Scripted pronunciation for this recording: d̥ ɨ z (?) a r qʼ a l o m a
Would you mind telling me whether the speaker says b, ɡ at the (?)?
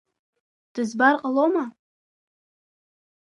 b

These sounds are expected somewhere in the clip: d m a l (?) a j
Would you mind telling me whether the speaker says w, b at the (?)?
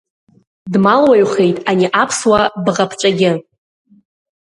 w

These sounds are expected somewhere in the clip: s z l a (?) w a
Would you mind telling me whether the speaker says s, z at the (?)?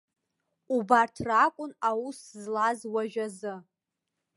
z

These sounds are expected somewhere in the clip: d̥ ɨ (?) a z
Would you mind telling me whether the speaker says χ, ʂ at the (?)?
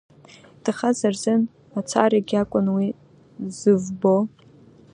χ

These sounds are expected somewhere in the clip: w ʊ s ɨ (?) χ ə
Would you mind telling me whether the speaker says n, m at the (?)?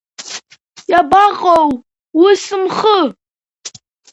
m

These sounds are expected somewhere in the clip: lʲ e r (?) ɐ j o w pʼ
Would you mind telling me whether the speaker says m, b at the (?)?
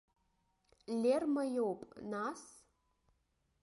m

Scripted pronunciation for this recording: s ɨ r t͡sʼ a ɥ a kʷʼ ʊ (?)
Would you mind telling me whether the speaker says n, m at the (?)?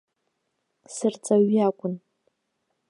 n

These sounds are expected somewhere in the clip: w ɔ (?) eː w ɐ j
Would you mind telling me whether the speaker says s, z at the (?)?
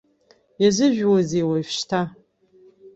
z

